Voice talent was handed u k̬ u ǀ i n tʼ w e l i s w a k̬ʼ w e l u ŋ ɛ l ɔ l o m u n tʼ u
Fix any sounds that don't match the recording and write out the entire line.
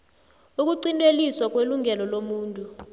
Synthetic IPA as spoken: u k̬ u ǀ i n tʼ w e l i s w a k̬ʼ w e l u ŋ ɛ l ɔ l o m uː n tʼ u